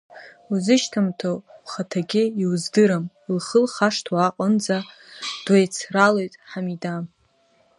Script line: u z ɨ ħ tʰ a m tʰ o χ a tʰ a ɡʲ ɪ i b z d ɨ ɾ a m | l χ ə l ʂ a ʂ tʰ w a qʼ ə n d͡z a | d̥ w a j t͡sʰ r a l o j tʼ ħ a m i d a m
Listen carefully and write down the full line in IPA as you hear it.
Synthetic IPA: u z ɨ ʃ tʰ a m tʰ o χ a tʰ a ɡʲ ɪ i w z d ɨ ɾ a m | l χ ə l χ a ʂ tʰ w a qʼ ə n d͡z a | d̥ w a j t͡sʰ r a l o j tʼ ħ a m i d a m